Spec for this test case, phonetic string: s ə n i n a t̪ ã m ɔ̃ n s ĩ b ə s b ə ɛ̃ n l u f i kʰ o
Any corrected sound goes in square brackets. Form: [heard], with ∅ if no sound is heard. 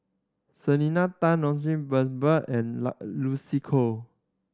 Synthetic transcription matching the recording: s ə n i n a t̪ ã [n] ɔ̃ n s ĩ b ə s b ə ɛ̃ n l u [s] i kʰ o